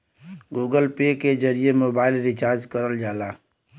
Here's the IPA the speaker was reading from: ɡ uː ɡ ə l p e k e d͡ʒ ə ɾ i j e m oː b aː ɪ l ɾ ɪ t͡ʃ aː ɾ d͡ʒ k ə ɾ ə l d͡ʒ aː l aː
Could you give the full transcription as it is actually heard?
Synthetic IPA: ɡ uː ɡ ə l p e k e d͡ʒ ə ɾ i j e m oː b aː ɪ l ɾ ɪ t͡ʃ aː ɾ d͡ʒ k ə ɾ ə l d͡ʒ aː l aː

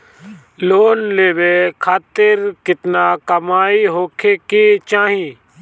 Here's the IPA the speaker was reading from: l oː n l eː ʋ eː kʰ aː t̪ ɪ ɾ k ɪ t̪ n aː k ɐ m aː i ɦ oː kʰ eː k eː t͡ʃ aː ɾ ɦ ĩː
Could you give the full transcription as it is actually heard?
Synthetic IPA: l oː n l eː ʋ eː kʰ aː t̪ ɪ ɾ k ɪ t̪ n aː k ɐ m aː i ɦ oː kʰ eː k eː t͡ʃ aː ɦ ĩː

